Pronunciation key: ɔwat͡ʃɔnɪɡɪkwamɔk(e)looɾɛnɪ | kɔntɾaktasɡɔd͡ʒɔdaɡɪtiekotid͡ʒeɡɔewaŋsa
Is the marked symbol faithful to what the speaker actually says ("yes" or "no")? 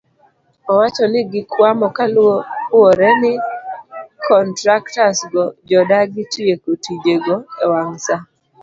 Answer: no